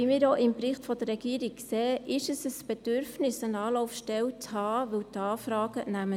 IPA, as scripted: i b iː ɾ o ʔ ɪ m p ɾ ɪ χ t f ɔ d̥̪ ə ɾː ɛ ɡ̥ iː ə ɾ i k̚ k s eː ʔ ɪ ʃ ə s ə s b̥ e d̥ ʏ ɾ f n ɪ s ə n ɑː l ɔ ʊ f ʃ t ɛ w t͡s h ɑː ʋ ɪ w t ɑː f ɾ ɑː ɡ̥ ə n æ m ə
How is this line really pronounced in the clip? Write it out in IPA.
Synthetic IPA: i m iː ɾ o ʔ ɪ m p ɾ ɪ χ t f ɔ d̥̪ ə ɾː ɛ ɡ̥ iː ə ɾ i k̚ k s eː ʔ ɪ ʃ ə s ə s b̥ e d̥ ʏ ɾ f n ɪ s ə n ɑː l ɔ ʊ f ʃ t ɛ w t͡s h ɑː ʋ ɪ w t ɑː f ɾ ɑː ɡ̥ ə n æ m ə